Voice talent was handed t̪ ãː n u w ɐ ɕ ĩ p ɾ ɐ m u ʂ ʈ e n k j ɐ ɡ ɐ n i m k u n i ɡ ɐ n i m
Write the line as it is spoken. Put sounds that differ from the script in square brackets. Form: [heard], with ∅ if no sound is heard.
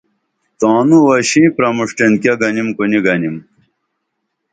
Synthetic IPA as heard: t̪ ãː n u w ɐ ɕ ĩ p ɾ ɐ m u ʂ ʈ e n k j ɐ ɡ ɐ n i m k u n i ɡ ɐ n i m